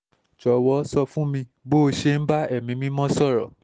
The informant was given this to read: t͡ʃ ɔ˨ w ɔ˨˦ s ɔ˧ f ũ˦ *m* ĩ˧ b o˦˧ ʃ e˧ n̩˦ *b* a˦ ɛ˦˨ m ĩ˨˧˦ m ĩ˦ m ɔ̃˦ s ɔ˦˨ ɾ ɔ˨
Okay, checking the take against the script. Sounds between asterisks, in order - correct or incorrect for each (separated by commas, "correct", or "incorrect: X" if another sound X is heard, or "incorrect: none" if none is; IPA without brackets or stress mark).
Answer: correct, correct